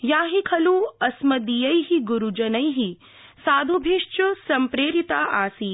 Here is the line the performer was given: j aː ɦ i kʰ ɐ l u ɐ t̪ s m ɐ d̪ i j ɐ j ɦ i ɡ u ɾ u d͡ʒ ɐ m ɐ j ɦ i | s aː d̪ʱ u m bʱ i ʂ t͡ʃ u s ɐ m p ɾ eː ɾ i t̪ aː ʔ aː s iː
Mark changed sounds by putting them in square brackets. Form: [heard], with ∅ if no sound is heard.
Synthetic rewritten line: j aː ɦ i kʰ ɐ l u ɐ [∅] s m ɐ d̪ i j ɐ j ɦ i ɡ u ɾ u d͡ʒ ɐ [n] ɐ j ɦ i | s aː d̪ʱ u [∅] bʱ i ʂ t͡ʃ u s ɐ m p ɾ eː ɾ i t̪ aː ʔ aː s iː